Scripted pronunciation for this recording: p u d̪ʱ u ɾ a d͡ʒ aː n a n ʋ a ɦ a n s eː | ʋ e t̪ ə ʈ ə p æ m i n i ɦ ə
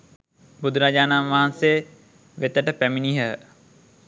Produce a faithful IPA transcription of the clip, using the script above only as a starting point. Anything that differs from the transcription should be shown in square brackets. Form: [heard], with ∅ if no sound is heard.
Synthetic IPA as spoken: [b] u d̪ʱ u ɾ a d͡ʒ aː n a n ʋ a ɦ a n s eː | ʋ e t̪ ə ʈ ə p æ m i n i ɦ ə